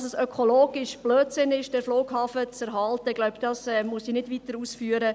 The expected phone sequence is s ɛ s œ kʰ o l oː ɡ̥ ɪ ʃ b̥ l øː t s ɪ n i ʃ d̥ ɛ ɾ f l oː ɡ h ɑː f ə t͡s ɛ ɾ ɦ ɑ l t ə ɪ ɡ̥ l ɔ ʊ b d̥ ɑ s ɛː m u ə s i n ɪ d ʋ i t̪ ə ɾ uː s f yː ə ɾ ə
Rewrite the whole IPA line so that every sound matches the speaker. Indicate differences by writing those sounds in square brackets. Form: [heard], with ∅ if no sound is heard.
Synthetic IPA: s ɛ s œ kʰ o l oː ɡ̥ ɪ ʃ b̥ l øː t s ɪ n [ɪ] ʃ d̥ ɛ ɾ f l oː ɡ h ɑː f ə t͡s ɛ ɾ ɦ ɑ l t ə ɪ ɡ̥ l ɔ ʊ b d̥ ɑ s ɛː m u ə s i n ɪ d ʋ i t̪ ə ɾ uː s f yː ə ɾ ə